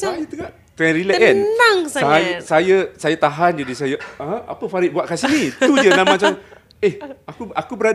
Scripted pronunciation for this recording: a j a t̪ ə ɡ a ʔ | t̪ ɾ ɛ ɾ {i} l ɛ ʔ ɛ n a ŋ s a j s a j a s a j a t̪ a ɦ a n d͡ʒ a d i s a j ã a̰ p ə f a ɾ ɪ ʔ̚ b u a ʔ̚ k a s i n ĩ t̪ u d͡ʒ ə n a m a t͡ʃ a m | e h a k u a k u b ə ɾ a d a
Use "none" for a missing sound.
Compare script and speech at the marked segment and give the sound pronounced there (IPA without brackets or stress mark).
i